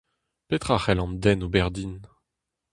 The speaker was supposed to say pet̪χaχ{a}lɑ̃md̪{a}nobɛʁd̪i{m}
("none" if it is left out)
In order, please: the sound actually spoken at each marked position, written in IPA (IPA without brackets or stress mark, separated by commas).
ɛ, ɛ, n